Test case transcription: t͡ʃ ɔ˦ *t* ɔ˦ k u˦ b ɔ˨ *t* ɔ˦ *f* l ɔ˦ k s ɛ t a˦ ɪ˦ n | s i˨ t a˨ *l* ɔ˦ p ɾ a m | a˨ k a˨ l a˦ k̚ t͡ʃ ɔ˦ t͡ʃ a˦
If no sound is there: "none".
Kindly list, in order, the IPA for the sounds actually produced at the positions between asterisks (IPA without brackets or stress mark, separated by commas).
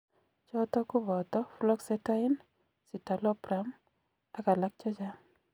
t, t, f, l